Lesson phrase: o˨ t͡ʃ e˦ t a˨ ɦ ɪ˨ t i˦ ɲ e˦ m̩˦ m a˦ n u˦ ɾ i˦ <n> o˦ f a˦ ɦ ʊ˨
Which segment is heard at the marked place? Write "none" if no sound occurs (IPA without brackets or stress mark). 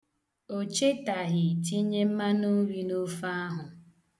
n